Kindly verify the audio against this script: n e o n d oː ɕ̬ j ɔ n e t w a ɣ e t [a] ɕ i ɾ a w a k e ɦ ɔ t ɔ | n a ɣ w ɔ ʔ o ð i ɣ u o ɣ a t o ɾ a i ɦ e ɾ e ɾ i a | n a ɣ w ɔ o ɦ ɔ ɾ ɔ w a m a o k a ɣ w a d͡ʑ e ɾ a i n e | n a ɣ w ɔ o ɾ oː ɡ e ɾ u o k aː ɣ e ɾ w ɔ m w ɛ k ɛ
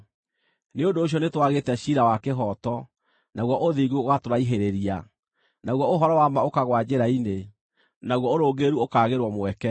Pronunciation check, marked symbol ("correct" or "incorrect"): incorrect